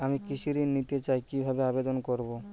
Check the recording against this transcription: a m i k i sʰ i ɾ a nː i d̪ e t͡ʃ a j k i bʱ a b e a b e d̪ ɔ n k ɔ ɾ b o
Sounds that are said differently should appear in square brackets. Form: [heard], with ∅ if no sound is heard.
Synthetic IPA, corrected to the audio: a m i k i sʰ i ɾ [i] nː i [t̪] e t͡ʃ a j k i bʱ a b e a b e d̪ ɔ n k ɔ ɾ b o